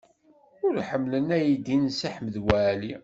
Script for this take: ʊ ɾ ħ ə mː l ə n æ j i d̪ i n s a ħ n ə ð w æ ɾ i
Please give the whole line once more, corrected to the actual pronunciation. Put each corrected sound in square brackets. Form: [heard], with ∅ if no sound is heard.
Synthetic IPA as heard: ʊ ɾ ħ ə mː l ə n æ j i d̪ i n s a ħ [m] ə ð w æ [l] i